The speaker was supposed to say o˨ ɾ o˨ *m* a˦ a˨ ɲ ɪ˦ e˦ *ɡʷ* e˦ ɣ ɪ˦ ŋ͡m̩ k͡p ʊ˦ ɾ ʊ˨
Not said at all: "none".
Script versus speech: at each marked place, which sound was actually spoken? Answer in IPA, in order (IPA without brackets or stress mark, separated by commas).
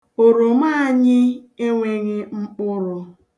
m, ŋʷ